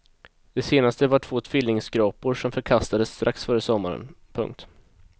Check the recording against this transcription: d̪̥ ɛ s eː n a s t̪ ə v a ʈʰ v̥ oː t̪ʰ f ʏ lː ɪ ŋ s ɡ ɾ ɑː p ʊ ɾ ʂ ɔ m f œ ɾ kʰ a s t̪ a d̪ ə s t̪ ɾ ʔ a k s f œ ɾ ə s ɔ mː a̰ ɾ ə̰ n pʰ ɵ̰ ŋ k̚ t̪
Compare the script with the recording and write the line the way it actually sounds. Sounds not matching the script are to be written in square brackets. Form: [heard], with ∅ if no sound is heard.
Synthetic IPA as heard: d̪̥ ɛ s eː n a s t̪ ə v a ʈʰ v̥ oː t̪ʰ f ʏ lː ɪ ŋ s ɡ ɾ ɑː p ʊ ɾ ʂ ɔ m f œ ɾ kʰ a s t̪ a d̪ ə s t̪ ɾ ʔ a k s f œ ɾ ə s ɔ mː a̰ ɾ ə̰ n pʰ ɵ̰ ŋ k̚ t̪